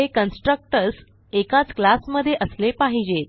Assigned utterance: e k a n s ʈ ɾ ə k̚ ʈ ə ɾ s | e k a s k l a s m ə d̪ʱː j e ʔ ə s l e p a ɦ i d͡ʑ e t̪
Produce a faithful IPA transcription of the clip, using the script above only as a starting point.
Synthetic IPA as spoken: e k ə n s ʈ ɾ ə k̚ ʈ ə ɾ s | e k a t͡s k l a s m ə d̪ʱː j e ʔ ə s l e p a ɦ i d͡ʑ e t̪